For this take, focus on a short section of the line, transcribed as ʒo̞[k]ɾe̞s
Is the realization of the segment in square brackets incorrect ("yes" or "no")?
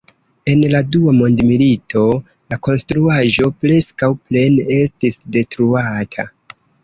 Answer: yes